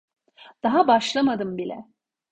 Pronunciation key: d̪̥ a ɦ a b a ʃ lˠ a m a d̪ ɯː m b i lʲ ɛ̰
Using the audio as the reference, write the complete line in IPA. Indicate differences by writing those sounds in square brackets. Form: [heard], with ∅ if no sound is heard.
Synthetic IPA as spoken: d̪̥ a ɦ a b a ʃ lˠ a m a d̪ [ɯ] m b i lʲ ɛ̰